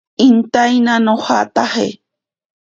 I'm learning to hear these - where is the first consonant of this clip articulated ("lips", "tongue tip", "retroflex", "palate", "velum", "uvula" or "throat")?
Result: tongue tip